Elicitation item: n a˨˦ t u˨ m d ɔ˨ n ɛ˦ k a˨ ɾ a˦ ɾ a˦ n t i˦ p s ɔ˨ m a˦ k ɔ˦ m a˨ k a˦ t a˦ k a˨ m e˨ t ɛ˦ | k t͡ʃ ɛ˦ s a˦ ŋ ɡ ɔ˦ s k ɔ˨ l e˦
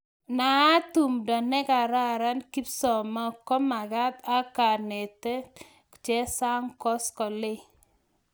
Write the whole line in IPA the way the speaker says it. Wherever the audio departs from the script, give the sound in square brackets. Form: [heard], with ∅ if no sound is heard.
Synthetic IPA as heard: n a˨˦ t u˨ m d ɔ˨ n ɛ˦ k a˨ ɾ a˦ ɾ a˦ n [k] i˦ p s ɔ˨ m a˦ k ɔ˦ m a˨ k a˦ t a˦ k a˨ [n] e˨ t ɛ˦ | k t͡ʃ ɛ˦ s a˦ ŋ [k] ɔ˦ s k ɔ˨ l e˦